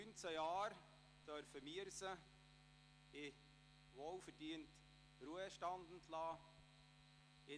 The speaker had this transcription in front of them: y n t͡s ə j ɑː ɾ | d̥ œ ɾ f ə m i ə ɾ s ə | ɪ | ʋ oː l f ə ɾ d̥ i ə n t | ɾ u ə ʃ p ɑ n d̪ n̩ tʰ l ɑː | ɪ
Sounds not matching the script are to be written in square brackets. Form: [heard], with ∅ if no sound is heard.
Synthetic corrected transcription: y n t͡s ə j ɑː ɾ | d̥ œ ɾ f ə m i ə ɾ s ə | ɪ | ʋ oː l f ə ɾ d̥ i ə n t | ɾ u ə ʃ [t] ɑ n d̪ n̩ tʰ l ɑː | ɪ

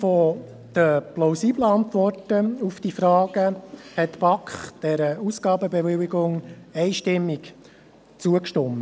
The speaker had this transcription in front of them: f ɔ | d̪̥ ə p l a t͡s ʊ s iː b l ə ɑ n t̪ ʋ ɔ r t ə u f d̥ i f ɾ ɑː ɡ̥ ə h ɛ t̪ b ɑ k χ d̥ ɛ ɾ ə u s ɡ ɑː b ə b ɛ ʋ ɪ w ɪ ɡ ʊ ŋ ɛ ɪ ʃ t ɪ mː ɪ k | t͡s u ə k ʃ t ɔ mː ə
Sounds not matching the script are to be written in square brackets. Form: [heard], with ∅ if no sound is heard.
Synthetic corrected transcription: f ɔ | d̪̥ ə p l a [∅] ʊ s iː b l ə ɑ n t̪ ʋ ɔ r t ə u f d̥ i f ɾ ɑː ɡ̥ ə h ɛ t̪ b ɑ k χ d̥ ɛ ɾ ə u s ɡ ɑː b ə b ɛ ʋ ɪ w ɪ ɡ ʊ ŋ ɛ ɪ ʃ t ɪ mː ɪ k | t͡s u ə k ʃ t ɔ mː ə

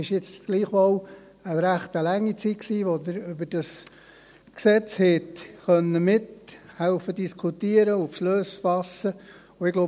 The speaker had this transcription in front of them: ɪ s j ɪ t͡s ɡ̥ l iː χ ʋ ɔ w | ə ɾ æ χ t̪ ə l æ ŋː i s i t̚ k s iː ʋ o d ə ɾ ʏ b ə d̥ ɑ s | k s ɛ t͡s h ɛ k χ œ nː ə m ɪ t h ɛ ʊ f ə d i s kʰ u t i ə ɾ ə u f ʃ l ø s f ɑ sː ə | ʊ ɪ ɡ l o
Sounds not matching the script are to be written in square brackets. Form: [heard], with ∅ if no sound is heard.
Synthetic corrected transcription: ɪ [ʃ] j ɪ t͡s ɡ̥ l iː χ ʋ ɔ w | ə ɾ æ χ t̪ ə l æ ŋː i [t͡s] i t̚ k s iː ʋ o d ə ɾ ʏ b ə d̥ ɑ s | k s ɛ t͡s h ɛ [t] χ œ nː ə m ɪ t h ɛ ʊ f ə d i s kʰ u t i ə ɾ ə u f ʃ l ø s f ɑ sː ə | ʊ ɪ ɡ l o

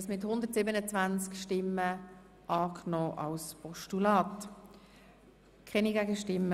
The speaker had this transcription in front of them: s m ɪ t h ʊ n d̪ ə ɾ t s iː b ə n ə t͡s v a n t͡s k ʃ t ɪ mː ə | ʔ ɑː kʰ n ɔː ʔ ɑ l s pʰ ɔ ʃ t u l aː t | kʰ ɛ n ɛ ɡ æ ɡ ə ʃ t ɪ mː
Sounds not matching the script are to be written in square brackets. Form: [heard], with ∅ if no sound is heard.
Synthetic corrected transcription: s m ɪ t h ʊ n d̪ ə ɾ t s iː b ə n ə t͡s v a n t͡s k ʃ t ɪ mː ə | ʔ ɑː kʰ n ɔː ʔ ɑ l s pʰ ɔ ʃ t u l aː t | kʰ ɛ n [i] ɡ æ ɡ ə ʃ t ɪ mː

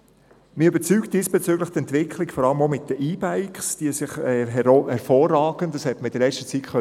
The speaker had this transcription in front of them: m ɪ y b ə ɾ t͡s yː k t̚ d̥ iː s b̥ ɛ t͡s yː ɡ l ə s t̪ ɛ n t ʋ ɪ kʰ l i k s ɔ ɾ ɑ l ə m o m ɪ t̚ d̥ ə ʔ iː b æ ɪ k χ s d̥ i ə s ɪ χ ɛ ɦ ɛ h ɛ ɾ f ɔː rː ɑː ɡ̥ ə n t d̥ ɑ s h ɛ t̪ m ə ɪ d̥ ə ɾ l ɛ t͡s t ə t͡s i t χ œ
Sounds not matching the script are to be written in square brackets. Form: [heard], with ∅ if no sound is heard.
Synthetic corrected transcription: m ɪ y b ə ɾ t͡s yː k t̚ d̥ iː s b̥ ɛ t͡s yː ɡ l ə [χ] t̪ ɛ n t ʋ ɪ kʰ l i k [f] ɔ ɾ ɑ l ə m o m ɪ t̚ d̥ ə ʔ iː b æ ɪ k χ s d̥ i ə s ɪ χ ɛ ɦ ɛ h ɛ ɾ f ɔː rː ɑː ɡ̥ ə n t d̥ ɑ s h ɛ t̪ m ə ɪ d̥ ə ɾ l ɛ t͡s t ə t͡s i t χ œ

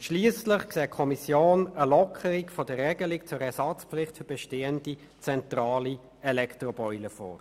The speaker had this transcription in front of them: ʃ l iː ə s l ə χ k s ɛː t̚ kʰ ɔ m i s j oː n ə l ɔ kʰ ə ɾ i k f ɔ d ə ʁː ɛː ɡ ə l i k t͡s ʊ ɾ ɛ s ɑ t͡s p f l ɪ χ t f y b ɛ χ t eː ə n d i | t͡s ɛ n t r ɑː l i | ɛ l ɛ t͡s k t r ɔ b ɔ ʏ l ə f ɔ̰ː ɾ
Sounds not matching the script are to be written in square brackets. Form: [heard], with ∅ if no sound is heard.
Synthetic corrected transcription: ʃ l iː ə s l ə χ k s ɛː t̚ kʰ ɔ m i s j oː n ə l ɔ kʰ ə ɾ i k f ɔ d ə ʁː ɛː ɡ ə l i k t͡s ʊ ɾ ɛ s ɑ t͡s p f l ɪ χ t f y b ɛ [ʃ] t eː ə n d i | t͡s ɛ n t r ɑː l i | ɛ l ɛ [∅] k t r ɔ b ɔ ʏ l ə f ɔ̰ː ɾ

